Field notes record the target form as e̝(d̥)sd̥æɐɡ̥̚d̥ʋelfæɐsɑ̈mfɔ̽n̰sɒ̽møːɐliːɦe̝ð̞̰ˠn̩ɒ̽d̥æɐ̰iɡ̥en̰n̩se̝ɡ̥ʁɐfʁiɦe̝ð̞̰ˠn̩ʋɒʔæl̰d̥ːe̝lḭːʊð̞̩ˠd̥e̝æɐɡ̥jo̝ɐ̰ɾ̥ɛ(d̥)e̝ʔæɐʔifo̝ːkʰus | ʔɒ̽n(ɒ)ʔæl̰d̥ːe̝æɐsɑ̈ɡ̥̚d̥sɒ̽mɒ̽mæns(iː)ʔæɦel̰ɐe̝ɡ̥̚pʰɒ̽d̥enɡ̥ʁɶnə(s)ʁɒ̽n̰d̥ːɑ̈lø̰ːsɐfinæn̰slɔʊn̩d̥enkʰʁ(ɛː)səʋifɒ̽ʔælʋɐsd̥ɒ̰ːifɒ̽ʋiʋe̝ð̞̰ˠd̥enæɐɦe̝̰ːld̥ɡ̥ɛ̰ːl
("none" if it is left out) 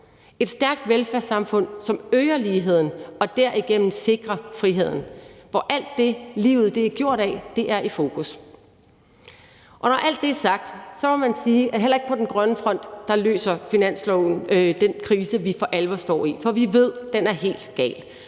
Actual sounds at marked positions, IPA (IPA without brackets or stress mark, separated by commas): d̥, d̥, ɒ, iː, f, iː